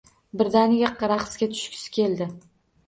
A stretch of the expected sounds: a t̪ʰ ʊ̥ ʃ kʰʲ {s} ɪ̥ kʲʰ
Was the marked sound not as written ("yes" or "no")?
no